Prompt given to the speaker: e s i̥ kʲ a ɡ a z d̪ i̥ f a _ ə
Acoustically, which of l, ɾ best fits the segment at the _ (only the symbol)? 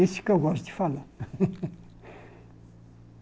l